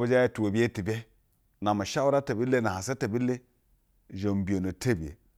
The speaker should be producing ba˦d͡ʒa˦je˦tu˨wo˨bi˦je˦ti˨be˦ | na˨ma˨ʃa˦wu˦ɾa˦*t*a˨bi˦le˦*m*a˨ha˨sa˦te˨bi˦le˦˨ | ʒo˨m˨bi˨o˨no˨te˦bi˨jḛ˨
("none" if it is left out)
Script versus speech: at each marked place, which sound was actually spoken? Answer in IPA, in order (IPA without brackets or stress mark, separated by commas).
t, n